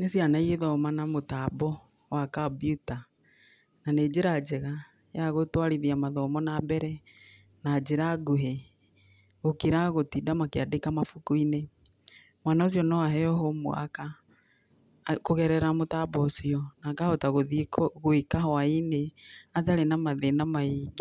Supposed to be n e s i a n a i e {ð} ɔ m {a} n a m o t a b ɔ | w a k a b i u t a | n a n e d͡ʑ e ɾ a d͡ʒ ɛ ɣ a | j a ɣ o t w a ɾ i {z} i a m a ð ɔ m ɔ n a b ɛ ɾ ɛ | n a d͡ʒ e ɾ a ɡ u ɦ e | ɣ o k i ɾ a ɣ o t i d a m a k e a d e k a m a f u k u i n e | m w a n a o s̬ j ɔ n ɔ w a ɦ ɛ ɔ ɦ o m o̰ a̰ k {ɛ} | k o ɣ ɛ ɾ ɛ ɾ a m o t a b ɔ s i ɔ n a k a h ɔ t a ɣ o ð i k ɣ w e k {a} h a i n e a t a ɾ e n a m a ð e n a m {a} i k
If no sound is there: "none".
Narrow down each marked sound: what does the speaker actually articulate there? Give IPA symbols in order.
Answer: ð, a, ð, a, a, a

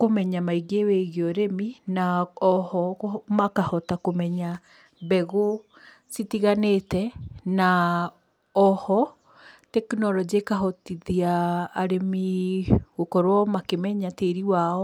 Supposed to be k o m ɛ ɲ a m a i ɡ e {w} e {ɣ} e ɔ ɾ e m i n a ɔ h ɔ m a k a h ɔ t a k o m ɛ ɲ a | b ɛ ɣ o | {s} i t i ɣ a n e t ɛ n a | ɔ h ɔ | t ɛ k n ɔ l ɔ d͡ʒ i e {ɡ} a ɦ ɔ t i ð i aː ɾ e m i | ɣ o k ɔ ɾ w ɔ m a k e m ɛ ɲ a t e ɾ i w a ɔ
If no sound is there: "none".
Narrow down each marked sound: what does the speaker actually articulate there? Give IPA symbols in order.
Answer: w, ɣ, s, k

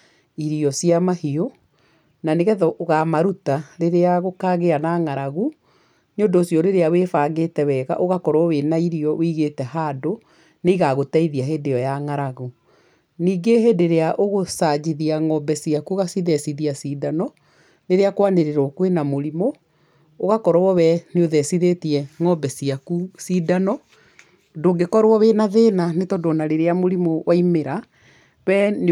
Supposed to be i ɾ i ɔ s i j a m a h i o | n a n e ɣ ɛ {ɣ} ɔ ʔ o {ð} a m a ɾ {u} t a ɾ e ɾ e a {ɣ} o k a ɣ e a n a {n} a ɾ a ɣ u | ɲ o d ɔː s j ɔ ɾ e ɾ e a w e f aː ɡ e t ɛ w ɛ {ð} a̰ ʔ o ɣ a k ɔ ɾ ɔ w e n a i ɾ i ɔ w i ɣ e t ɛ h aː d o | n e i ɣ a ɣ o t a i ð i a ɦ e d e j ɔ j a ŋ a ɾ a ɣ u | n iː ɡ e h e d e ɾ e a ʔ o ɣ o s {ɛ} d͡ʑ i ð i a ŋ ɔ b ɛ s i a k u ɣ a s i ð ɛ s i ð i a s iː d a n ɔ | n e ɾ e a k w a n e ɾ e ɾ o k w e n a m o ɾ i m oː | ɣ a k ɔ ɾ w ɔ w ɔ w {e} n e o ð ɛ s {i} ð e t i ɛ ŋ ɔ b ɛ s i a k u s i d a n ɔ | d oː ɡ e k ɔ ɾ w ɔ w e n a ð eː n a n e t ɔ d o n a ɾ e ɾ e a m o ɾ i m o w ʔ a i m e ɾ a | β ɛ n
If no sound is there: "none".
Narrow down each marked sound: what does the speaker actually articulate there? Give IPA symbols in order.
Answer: ð, ɣ, u, ɣ, ŋ, ɣ, a, ɛ, i

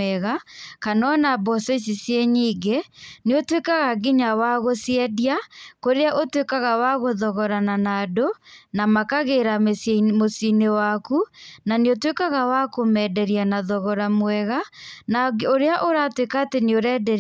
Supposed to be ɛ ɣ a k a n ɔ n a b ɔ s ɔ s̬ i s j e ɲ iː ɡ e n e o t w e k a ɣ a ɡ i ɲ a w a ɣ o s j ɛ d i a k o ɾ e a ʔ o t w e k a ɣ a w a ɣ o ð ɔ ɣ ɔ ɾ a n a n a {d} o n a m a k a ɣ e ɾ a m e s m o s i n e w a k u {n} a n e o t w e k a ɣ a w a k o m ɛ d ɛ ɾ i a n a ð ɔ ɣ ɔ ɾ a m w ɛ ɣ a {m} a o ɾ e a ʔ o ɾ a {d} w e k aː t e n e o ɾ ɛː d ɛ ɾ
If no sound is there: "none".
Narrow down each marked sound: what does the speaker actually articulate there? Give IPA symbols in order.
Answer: d, n, n, t

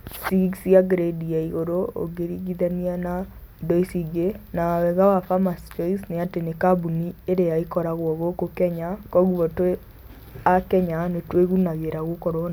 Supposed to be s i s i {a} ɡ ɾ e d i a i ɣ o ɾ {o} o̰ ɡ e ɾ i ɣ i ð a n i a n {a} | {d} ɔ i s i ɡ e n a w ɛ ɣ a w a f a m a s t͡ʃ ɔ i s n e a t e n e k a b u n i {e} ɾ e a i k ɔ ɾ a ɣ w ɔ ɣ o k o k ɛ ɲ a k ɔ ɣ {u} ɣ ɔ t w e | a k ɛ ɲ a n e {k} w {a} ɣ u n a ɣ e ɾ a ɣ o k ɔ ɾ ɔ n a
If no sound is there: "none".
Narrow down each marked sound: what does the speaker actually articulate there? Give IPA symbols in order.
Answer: a, o, a, d, e, u, t, e

